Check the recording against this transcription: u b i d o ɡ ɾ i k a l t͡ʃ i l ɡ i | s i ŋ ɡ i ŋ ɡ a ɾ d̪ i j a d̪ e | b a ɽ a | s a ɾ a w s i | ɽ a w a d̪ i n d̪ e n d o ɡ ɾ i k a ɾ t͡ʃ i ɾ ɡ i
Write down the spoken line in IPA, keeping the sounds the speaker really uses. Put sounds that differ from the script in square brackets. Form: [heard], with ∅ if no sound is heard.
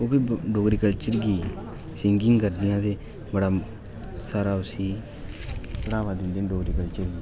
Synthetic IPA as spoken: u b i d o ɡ ɾ i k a l t͡ʃ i [ɾ] ɡ i | s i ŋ ɡ i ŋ ɡ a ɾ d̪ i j a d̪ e | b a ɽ a | s a ɾ a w s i | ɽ a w a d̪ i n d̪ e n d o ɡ ɾ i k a [l] t͡ʃ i ɾ ɡ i